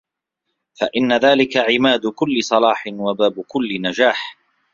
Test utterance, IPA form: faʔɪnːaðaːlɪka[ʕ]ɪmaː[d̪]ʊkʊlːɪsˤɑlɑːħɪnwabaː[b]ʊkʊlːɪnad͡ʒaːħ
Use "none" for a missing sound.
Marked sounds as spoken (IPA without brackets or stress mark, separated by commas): ʕ, d̪, b